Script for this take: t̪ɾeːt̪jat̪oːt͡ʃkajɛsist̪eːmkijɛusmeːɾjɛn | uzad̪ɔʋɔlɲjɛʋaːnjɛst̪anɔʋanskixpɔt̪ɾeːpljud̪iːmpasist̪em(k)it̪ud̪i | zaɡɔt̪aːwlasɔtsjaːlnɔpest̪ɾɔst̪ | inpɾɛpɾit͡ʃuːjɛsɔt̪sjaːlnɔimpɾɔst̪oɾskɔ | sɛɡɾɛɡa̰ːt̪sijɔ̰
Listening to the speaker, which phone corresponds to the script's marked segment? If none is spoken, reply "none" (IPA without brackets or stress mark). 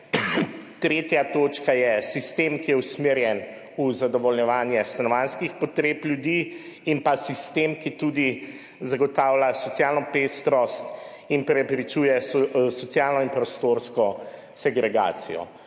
k